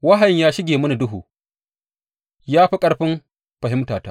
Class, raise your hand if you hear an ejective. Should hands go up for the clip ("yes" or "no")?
yes